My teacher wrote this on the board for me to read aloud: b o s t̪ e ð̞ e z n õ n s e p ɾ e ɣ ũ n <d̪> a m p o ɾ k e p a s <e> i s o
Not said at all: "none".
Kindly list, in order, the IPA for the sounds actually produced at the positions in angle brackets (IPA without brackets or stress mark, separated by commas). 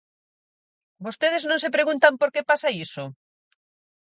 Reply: t̪, a